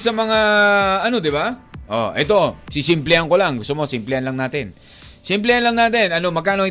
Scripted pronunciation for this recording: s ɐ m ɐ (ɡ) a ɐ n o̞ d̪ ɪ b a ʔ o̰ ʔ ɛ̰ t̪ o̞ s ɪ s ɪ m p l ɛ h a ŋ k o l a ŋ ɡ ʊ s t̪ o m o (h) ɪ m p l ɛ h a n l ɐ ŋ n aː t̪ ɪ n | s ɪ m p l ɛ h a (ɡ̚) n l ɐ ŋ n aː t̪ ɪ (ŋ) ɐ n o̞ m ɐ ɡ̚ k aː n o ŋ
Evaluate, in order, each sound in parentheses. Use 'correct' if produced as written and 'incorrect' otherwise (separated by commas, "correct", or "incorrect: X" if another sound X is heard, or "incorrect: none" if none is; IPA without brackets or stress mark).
incorrect: ŋ, incorrect: s, incorrect: none, incorrect: n